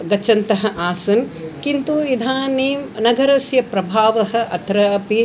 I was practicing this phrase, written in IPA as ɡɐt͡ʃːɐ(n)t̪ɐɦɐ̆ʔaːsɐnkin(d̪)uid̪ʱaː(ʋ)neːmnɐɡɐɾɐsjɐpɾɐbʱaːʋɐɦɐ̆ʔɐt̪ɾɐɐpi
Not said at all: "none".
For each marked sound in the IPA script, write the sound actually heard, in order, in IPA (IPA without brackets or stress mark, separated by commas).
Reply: n, t̪, none